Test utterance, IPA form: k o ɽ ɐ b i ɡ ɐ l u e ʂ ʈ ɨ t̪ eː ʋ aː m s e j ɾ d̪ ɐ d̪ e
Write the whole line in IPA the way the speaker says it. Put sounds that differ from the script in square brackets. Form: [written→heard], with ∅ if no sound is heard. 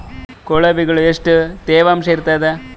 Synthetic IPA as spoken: k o [ɽ→ɭ] ɐ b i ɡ ɐ [l→ɭ] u e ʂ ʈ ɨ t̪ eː ʋ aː m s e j ɾ [d̪→t̪] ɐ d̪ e